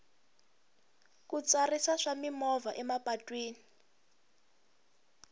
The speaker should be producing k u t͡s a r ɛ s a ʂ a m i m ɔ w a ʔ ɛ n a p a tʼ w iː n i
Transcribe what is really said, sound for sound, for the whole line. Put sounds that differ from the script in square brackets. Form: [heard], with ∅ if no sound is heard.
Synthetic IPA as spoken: k u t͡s a r [i] s a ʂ a m i m ɔ [v] a ʔ ɛ [m] a p a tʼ w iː n i